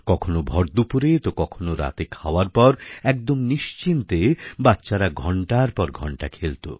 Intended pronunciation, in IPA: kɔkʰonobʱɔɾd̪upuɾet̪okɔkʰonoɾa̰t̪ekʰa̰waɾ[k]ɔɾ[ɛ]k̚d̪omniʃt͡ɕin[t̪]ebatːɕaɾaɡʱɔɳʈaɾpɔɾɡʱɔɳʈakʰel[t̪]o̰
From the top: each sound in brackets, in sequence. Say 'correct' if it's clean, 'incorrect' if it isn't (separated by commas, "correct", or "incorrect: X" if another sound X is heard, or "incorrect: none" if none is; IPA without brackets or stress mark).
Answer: incorrect: p, correct, correct, correct